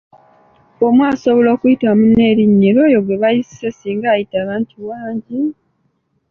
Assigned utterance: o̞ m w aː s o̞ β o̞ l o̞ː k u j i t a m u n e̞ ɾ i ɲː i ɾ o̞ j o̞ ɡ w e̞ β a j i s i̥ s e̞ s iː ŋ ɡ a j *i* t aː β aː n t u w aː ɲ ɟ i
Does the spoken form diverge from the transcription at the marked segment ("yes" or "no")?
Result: no